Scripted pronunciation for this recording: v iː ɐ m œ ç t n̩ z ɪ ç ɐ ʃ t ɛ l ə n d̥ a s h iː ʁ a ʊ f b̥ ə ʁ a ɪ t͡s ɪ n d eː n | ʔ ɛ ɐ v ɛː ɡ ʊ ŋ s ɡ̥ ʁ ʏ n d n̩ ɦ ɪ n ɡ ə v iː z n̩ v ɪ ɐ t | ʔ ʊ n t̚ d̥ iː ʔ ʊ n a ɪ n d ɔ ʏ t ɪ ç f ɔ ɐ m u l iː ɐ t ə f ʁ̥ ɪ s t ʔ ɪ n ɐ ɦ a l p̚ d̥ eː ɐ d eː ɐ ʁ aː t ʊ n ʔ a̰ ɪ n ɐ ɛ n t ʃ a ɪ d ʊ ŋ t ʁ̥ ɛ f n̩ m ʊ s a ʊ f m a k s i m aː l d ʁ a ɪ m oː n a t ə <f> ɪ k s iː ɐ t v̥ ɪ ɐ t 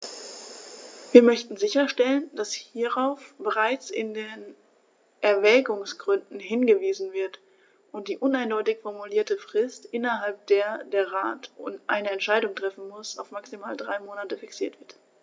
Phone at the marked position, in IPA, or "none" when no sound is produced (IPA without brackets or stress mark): f